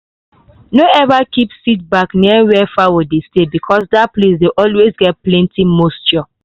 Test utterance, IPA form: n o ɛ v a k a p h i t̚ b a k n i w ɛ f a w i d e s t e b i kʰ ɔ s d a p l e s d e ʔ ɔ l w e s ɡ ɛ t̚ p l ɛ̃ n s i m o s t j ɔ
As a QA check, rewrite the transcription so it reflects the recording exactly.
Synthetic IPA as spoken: n o ɛ v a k i p s i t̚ b a k n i w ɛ f a w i d e s t e b i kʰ ɔ s d a p l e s d e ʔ ɔ l w e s ɡ ɛ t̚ p l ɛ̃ n t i m o s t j ɔ

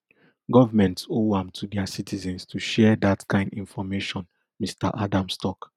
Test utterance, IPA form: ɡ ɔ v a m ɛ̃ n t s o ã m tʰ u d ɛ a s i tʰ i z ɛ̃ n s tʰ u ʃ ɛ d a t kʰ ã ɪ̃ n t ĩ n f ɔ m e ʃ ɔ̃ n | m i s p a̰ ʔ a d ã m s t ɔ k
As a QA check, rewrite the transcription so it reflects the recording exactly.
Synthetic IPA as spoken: ɡ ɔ v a m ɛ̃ n t s o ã m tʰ u d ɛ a s i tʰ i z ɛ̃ n s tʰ u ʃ ɛ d a t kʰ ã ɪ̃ n d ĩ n f ɔ m e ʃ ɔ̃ n | m i s t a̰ ʔ a d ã m s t ɔ k

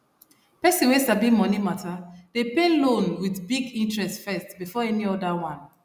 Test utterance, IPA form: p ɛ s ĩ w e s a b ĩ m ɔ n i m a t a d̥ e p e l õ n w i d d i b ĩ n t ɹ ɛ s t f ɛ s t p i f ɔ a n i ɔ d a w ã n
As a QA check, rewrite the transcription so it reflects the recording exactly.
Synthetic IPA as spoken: p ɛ s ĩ w e s a b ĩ m ɔ n i m a t a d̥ e p e l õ n w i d b i ɡ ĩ n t ɹ ɛ s t f ɛ s t b i f ɔ ɛ n i ɔ d a w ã n

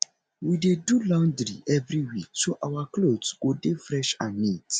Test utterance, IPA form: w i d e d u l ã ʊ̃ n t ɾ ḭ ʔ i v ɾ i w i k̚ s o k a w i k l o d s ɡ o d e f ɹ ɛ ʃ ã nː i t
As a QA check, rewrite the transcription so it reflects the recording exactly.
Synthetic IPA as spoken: w i d e d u l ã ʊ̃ n d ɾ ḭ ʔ ɛ v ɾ i w i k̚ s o ʔ a w a k l o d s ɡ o d e f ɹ ɛ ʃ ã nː i t

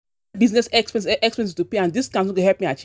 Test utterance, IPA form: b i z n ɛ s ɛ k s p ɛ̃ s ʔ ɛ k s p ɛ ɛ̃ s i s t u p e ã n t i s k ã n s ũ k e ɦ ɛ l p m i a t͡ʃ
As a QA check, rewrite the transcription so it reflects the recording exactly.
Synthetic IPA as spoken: b i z n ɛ s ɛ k s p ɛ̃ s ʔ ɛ k s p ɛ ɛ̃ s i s t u p e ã n d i s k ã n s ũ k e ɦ ɛ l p m i a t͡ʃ

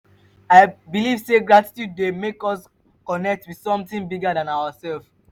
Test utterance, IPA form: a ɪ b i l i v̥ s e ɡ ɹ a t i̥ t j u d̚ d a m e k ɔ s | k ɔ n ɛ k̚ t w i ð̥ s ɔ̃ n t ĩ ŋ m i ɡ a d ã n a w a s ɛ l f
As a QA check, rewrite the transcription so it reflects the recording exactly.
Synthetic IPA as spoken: a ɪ b i l i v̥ s e ɡ ɹ a t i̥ t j u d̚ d e m e k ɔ s | k ɔ n ɛ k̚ t w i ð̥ s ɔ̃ m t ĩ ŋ b i ɡ a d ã n a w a s ɛ l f

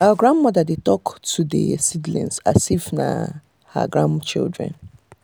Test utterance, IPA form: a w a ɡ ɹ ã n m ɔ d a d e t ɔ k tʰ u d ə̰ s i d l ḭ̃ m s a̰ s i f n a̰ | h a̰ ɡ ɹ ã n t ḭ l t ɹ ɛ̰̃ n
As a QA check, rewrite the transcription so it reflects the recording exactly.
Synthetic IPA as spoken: a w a ɡ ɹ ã n m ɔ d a d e t ɔ k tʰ u d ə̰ s i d l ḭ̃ n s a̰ s i f n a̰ | h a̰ ɡ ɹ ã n t͡ʃ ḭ l d ɹ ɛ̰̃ n

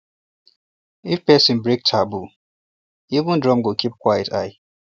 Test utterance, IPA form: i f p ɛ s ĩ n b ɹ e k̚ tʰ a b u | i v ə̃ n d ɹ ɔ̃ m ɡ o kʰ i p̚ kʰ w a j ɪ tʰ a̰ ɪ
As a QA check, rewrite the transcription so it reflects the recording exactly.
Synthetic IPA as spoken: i f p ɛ s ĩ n b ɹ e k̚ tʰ a b u | i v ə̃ n d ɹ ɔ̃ m ɡ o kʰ i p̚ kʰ w a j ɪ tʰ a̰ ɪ

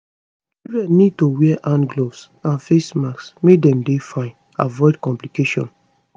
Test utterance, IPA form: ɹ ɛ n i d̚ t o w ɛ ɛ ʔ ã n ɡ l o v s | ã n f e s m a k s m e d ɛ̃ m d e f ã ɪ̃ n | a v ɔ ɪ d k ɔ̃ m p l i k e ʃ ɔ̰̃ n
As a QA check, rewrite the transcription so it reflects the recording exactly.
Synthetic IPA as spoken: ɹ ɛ n i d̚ t o w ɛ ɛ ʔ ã n ɡ l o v s | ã n f e s m a k s m e d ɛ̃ m d e f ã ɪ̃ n | a v ɔ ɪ d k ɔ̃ m p l i k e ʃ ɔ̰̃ n

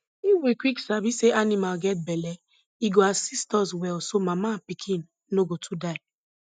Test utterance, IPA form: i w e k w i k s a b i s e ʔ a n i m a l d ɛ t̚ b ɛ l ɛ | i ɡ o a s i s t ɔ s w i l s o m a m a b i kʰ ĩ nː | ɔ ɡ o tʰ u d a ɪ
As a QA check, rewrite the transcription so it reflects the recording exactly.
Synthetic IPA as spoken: i w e k w i k s a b i s e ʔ a n i m a l ɡ ɛ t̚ b ɛ l ɛ | i ɡ o a s i s t ɔ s w ɛ l s o m a m a p i kʰ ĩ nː | o ɡ o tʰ u d a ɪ

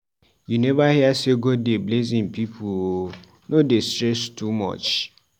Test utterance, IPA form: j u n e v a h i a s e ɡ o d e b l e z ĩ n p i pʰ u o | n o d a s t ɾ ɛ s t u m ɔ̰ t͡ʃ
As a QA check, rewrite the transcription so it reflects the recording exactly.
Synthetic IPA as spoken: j u n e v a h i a s e ɡ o d e b l e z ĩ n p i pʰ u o | n o d e s t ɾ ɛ s t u m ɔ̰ t͡ʃ

